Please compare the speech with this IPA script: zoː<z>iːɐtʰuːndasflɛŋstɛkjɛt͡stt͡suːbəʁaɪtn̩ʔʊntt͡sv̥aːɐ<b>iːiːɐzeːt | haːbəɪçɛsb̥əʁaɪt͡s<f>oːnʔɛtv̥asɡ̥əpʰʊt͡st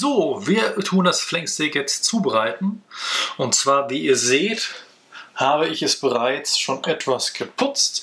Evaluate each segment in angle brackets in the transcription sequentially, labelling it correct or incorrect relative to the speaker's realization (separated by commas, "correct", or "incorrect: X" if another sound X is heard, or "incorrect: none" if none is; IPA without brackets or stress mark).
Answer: incorrect: v, incorrect: v, incorrect: ʃ